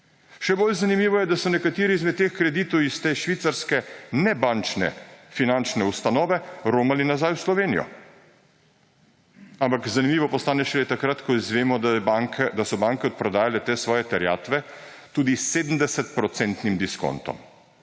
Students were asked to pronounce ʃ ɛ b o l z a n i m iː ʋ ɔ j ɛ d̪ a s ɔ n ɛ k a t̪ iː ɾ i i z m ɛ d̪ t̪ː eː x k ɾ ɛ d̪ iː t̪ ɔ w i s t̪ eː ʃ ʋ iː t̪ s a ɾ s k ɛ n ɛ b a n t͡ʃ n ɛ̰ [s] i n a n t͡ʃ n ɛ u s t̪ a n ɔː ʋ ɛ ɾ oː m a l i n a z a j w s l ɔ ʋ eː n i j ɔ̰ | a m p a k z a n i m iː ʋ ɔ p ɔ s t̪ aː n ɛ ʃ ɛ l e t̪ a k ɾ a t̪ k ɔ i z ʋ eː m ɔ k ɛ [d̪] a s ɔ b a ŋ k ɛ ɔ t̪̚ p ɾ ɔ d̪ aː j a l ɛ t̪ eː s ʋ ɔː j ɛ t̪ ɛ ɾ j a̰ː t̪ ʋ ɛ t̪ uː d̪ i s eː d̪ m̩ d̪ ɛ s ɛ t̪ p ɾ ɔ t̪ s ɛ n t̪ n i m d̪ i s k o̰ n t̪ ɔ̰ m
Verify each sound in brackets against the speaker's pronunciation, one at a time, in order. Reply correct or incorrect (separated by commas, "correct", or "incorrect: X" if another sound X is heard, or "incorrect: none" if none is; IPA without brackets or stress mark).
incorrect: f, correct